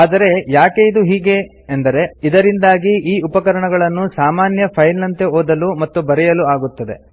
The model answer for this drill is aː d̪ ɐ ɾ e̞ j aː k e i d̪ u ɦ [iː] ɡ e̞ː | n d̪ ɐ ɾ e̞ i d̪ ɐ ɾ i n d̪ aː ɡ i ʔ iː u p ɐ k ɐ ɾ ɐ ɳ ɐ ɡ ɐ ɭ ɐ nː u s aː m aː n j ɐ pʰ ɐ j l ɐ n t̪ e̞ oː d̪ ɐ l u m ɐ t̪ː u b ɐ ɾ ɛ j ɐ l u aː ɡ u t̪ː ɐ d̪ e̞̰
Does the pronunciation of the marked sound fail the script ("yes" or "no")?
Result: no